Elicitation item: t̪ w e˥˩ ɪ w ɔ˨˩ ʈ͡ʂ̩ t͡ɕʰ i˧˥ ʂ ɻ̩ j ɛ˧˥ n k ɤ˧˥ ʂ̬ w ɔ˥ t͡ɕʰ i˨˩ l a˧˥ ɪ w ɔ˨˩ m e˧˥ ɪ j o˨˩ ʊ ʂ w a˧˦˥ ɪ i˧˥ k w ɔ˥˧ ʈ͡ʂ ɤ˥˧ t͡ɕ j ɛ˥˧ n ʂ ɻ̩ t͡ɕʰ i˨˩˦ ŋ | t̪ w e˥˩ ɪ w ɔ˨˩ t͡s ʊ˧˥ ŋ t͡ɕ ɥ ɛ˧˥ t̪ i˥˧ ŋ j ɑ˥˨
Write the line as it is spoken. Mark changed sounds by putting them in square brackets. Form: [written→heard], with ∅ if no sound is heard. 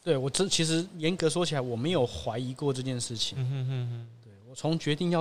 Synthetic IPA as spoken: t̪ w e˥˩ ɪ w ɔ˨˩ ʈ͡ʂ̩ t͡ɕʰ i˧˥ ʂ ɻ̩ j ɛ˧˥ n k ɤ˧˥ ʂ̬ w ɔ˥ t͡ɕʰ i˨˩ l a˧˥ ɪ w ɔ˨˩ m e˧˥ ɪ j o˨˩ ʊ [ʂ→x] w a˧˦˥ ɪ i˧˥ k w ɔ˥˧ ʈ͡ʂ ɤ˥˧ t͡ɕ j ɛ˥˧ n ʂ ɻ̩ t͡ɕʰ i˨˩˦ ŋ | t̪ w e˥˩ ɪ w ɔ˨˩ [t͡s→t͡sʰ] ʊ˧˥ ŋ t͡ɕ ɥ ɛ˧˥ t̪ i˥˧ ŋ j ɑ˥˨